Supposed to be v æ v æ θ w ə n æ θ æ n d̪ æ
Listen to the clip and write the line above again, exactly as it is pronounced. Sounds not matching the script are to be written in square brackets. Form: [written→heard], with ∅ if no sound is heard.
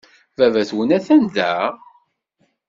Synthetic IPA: v æ v æ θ w ə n æ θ æ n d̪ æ